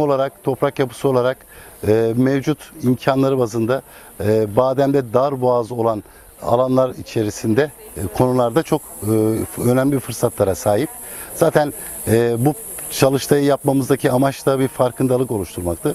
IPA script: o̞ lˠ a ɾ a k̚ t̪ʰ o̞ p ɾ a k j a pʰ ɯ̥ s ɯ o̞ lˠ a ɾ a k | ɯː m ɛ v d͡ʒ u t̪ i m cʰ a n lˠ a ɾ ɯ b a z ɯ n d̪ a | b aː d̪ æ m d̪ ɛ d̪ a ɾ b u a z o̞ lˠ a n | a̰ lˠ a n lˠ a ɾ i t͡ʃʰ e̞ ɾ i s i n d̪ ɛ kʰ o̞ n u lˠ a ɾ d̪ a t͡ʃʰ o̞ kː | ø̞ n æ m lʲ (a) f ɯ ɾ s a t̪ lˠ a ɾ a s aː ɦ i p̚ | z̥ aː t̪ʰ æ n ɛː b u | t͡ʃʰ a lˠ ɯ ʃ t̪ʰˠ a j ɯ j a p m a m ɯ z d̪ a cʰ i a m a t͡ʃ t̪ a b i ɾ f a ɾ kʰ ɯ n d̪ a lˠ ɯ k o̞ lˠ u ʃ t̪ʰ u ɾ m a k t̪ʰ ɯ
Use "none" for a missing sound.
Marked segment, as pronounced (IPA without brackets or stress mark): i